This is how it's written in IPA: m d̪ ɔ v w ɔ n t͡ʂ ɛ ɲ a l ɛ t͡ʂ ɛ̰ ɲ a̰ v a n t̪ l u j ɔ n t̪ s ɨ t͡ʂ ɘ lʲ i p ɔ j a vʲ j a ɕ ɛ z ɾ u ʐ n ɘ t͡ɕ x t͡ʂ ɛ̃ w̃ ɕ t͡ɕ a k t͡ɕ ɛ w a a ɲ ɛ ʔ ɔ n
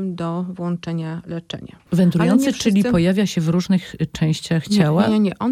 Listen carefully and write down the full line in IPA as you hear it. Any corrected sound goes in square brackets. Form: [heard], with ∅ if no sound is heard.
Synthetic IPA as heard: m d̪ ɔ v w ɔ n t͡ʂ ɛ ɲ a l ɛ t͡ʂ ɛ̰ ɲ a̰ v [ɛ] n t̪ [ɾ] u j ɔ n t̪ s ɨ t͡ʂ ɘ lʲ i p ɔ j a vʲ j a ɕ ɛ [v] ɾ u ʐ n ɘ [∅] x t͡ʂ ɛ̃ w̃ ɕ t͡ɕ a [x] t͡ɕ [a] w a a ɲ ɛ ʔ ɔ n